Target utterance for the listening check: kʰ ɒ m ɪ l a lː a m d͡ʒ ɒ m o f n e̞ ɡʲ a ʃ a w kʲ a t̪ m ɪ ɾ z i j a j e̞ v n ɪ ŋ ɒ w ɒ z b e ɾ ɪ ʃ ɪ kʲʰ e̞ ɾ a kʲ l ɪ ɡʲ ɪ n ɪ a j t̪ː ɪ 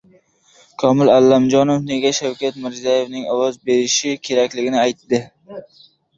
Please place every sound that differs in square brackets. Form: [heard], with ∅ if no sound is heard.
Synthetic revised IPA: kʰ ɒ m ɪ l a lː a m d͡ʒ ɒ [n] o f n e̞ ɡʲ a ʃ a w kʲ a t̪ m ɪ ɾ z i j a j e̞ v n ɪ ŋ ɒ w ɒ z b e ɾ ɪ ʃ ɪ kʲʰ e̞ ɾ a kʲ l ɪ ɡʲ ɪ n ɪ a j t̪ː ɪ